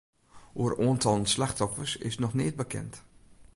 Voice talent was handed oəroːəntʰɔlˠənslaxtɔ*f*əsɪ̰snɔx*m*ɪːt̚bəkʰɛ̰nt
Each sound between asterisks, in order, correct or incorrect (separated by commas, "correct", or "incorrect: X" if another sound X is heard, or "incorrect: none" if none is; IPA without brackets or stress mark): correct, incorrect: n